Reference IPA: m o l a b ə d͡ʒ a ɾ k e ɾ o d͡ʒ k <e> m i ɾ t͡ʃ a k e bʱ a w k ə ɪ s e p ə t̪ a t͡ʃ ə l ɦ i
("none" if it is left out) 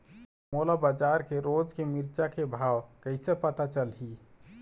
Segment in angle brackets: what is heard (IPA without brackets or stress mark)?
e